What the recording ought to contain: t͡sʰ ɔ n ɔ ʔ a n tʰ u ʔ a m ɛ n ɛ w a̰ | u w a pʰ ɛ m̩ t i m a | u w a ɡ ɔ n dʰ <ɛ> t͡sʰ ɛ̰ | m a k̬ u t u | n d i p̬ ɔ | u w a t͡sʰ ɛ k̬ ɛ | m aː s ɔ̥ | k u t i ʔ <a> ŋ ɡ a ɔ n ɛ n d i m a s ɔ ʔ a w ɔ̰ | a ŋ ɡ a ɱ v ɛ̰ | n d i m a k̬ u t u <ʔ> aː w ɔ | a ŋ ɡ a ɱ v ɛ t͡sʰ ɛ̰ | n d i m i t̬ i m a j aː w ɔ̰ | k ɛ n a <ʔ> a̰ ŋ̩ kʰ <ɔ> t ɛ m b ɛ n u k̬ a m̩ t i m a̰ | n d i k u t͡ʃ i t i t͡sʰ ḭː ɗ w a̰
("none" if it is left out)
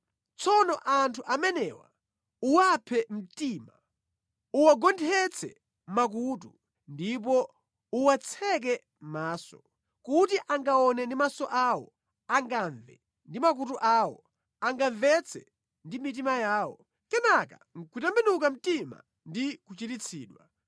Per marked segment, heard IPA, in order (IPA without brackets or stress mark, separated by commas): ɛ, a, ʔ, k, u